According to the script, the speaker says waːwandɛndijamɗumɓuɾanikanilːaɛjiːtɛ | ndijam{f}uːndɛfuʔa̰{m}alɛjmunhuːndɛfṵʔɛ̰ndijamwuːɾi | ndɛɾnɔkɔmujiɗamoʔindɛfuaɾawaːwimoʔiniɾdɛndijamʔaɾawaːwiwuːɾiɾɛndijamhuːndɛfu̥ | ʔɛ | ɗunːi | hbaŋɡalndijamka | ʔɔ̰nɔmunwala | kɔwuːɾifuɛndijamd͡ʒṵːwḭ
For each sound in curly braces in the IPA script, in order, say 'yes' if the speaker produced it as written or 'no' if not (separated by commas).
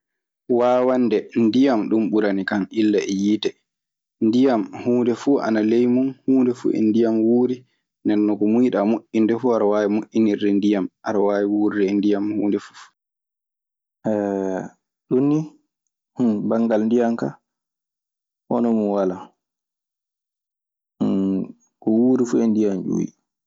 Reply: no, no